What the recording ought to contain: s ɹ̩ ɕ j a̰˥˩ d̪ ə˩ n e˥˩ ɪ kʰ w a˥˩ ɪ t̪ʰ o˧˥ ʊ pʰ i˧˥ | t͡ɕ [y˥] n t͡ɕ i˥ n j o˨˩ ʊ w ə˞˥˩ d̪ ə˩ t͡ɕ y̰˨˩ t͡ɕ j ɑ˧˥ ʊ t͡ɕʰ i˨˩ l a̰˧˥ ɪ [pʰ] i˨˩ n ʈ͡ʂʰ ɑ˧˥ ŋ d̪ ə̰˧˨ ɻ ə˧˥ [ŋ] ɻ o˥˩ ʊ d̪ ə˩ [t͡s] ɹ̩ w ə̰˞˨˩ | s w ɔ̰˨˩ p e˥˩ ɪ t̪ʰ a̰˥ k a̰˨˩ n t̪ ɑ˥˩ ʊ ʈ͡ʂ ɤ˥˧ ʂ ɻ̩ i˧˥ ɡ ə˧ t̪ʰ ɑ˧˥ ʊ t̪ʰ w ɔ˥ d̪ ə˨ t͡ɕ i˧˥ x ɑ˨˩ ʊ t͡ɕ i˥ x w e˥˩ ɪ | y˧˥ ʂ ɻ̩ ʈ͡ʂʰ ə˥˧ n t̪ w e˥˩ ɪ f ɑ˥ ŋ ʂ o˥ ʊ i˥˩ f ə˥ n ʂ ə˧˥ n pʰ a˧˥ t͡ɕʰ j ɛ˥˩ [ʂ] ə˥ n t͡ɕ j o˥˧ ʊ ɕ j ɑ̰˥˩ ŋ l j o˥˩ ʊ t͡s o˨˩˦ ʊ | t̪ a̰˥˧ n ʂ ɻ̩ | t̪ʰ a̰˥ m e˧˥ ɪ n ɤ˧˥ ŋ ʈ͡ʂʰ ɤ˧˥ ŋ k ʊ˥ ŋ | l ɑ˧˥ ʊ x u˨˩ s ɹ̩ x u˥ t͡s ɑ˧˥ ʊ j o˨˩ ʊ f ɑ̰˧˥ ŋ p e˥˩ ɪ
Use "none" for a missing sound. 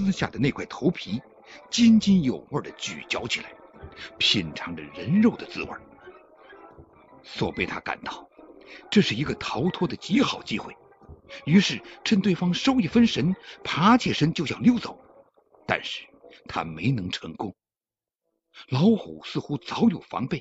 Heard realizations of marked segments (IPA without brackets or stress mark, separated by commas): i˥, pʰ, n, t͡s, ʂ